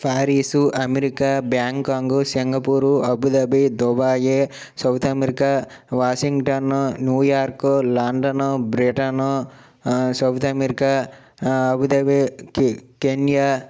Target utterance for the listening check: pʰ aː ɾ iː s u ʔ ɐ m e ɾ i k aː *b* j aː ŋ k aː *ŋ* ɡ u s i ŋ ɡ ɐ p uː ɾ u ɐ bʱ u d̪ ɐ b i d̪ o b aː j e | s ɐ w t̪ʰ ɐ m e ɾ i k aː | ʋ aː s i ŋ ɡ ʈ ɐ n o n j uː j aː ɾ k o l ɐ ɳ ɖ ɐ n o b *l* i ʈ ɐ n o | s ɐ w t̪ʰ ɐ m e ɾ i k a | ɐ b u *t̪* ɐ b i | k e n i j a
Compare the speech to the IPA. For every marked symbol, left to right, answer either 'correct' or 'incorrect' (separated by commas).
correct, correct, incorrect, incorrect